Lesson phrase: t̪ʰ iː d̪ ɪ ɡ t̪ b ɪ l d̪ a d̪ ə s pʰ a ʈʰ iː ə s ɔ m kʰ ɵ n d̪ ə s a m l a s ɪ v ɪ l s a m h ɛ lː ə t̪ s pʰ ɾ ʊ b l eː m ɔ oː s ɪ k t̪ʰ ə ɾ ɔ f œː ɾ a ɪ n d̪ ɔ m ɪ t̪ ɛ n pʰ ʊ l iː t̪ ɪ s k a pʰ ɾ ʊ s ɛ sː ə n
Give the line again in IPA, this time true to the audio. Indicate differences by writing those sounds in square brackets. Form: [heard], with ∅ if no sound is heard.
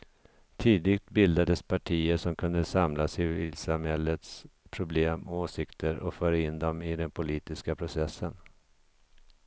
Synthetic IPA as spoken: t̪ʰ iː d̪ ɪ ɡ t̪ b ɪ l d̪ a d̪ ə s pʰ a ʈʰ iː ə [ʂ] ɔ m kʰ ɵ n d̪ ə s a m l a s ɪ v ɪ l s a m h ɛ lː ə t̪ s pʰ ɾ ʊ b l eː m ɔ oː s ɪ k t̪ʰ ə ɾ ɔ f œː ɾ a ɪ n d̪ ɔ m ɪ [d̪] ɛ n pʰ ʊ l iː t̪ ɪ s k a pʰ ɾ ʊ s ɛ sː ə n

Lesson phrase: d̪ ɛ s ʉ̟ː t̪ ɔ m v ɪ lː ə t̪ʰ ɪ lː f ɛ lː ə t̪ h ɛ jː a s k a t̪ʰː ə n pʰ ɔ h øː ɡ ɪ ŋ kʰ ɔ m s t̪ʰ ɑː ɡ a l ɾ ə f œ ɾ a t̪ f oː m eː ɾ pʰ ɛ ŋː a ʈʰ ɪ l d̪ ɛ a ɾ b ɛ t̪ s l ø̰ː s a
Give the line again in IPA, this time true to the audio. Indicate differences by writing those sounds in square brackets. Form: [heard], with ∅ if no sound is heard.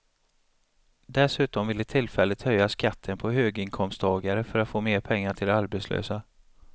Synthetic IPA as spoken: d̪ ɛ s ʉ̟ː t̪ ɔ m v ɪ lː ə t̪ʰ ɪ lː f ɛ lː ə t̪ h [œ] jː a s k a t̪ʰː ə n pʰ ɔ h øː ɡ ɪ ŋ kʰ ɔ m s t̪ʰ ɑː ɡ a [∅] ɾ ə f œ ɾ a t̪ f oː m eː ɾ pʰ ɛ ŋː a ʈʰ ɪ l d̪ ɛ a ɾ b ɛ t̪ s l ø̰ː s a

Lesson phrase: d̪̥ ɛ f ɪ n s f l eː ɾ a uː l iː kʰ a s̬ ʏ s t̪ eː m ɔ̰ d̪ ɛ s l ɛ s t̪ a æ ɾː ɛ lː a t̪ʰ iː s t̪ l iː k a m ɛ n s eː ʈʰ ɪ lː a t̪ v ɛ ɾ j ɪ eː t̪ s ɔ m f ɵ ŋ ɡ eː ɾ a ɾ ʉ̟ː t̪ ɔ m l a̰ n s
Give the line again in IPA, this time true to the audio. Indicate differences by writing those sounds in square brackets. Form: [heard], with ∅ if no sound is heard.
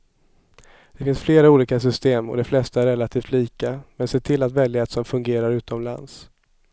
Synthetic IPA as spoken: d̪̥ ɛ f ɪ n s f l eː ɾ a uː l iː [k] a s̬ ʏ s t̪ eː m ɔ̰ d̪ ɛ [f] l ɛ s t̪ a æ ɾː ɛ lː a t̪ʰ iː [f] t̪ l iː k a m ɛ n s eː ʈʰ ɪ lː a t̪ v ɛ [l] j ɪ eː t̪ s ɔ m f ɵ ŋ ɡ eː ɾ a ɾ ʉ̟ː t̪ ɔ m l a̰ n s

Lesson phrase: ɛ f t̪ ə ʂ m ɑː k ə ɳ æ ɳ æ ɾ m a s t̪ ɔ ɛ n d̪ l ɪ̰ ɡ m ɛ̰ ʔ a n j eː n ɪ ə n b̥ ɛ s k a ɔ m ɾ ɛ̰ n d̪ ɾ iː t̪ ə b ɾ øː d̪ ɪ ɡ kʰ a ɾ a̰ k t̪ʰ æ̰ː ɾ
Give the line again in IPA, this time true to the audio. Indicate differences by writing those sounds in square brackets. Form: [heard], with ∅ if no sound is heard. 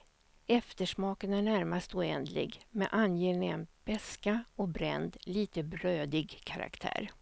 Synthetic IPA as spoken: ɛ f t̪ ə ʂ m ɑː k ə [n] æ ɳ æ ɾ m a s t̪ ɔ ɛ n d̪ l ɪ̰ ɡ m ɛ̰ ʔ a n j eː n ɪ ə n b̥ ɛ s k a ɔ [b] ɾ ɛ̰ n d̪ [l] iː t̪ ə b ɾ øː d̪ ɪ ɡ kʰ a ɾ a̰ k t̪ʰ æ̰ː ɾ

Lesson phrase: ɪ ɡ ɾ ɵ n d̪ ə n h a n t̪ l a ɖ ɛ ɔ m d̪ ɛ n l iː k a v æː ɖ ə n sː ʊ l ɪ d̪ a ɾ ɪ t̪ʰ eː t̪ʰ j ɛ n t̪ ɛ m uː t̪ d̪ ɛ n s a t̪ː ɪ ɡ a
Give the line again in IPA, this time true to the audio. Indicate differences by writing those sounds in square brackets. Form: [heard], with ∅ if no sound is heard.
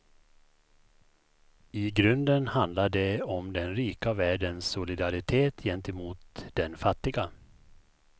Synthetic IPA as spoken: ɪ ɡ ɾ ɵ n d̪ ə n h a n [d̪] l a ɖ ɛ ɔ m d̪ ɛ n [ɾ] iː k a v æː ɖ ə n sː ʊ l ɪ d̪ a ɾ ɪ t̪ʰ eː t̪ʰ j ɛ n t̪ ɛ m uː t̪ d̪ ɛ n [f] a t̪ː ɪ ɡ a

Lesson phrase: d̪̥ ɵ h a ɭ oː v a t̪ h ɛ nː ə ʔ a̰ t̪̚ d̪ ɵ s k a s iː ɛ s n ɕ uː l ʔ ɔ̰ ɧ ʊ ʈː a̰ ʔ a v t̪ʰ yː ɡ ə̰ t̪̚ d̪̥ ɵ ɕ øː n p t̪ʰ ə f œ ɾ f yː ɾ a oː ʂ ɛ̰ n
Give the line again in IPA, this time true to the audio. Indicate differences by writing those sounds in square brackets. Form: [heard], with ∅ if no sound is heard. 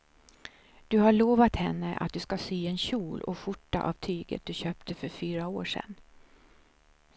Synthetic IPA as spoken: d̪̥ ɵ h a ɭ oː v a t̪ h ɛ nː ə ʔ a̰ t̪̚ d̪ ɵ s k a s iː ɛ [∅] n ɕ uː l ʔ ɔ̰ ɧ ʊ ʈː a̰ ʔ a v t̪ʰ yː ɡ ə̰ t̪̚ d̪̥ ɵ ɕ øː [∅] p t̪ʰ ə f œ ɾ f yː ɾ a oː ʂ ɛ̰ n

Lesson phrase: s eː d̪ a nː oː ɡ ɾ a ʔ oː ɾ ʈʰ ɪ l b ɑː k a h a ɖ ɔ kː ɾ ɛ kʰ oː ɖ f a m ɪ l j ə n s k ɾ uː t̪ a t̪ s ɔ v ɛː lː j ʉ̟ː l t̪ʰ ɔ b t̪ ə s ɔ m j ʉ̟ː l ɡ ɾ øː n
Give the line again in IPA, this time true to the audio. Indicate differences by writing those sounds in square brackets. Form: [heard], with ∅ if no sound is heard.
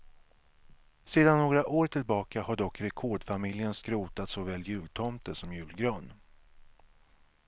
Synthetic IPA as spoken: s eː d̪ a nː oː ɡ ɾ a ʔ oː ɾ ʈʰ ɪ l b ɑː k a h a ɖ ɔ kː ɾ ɛ kʰ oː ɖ f a m ɪ l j ə n s k ɾ uː t̪ a t̪ s ɔ v ɛː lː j ʉ̟ː l t̪ʰ ɔ [m] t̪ ə s ɔ m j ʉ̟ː l ɡ ɾ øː n

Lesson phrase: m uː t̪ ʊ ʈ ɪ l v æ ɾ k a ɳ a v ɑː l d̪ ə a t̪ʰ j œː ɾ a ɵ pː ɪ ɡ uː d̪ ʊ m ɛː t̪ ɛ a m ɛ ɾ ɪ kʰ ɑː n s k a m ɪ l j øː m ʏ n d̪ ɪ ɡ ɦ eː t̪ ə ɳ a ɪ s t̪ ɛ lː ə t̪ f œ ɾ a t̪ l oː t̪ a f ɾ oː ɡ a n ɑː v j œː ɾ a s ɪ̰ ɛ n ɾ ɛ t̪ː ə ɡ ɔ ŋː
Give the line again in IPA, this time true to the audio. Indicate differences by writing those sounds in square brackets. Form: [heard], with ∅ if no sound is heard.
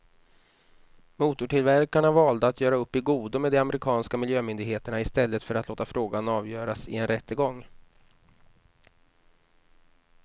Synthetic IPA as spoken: m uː t̪ ʊ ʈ ɪ l v æ ɾ k a ɳ a v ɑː l d̪ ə a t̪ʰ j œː ɾ a ɵ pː ɪ ɡ uː d̪ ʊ m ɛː [d̪] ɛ a m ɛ ɾ ɪ kʰ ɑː n s k a m ɪ l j øː m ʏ n d̪ ɪ ɡ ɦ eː t̪ ə ɳ a ɪ s t̪ ɛ lː ə t̪ f œ ɾ a t̪ l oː t̪ a f ɾ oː ɡ a n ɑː v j œː ɾ a s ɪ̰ ɛ n ɾ ɛ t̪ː ə ɡ ɔ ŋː

